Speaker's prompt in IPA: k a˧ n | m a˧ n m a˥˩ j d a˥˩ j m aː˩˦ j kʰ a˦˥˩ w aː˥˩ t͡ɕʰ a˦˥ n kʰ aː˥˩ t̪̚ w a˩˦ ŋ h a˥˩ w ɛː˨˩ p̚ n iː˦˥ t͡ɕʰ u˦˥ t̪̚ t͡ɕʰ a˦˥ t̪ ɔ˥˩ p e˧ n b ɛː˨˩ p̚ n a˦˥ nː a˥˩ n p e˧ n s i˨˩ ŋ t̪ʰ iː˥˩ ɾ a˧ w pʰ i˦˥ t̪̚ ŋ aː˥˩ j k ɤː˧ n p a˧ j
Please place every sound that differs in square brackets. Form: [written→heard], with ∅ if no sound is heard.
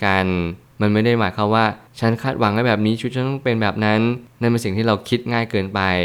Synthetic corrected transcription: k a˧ n | m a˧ n m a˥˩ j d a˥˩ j m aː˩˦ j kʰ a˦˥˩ w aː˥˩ t͡ɕʰ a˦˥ n kʰ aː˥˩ t̪̚ w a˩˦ ŋ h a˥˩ [w→b] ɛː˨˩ p̚ n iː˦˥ t͡ɕʰ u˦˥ t̪̚ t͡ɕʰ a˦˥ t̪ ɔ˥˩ p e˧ n b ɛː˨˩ p̚ n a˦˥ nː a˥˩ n p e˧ n s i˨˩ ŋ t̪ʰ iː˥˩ ɾ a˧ w [pʰ→kʰ] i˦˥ t̪̚ ŋ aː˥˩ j k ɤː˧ n p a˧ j